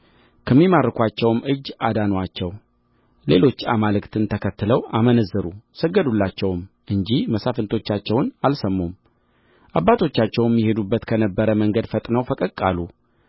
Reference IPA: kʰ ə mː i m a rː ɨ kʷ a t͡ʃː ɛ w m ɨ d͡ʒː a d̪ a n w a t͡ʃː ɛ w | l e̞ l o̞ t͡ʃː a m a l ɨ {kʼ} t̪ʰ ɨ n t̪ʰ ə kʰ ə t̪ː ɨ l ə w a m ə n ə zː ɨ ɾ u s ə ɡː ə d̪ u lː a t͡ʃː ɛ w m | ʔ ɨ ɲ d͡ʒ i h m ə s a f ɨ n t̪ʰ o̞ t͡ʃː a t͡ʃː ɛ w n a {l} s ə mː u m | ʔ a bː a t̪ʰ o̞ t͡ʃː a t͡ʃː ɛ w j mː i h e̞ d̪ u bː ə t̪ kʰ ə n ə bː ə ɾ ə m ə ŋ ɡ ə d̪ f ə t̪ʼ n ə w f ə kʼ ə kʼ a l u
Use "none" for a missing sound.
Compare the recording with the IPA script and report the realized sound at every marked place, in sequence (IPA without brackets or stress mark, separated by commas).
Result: k, l